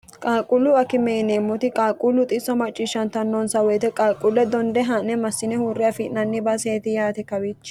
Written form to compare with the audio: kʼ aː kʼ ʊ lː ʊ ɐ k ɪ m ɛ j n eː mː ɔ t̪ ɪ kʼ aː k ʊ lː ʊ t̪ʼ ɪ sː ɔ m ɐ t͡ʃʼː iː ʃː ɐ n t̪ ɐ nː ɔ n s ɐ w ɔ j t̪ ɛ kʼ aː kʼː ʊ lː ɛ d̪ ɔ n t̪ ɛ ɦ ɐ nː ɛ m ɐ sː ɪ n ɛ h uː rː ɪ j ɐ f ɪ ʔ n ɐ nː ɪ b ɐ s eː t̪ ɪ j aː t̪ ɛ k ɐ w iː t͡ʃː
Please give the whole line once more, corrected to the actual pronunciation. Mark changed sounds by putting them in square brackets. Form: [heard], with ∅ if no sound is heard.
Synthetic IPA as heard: kʼ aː kʼ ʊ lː ʊ ɐ k ɪ m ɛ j n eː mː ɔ t̪ ɪ kʼ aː [kʼ] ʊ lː ʊ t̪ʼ ɪ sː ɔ m ɐ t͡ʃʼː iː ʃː ɐ n t̪ ɐ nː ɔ n s ɐ w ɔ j t̪ ɛ kʼ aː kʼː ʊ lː ɛ d̪ ɔ n [d̪] ɛ ɦ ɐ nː ɛ m ɐ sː ɪ n ɛ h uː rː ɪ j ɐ f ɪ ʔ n ɐ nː ɪ b ɐ s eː t̪ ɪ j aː t̪ ɛ k ɐ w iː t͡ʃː